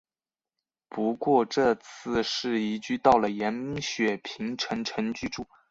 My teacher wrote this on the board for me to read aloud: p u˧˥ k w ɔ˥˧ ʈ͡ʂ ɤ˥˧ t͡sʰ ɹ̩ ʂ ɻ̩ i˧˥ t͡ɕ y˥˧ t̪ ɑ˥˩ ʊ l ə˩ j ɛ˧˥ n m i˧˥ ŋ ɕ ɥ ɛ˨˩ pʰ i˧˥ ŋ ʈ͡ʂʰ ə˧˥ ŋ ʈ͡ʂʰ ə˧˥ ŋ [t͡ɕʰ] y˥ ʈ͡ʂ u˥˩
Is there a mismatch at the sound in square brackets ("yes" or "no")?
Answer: yes